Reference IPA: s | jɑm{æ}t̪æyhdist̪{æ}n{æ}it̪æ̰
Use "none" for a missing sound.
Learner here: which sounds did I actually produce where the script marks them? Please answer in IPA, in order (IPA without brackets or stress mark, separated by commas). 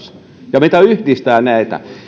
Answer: i, æː, æ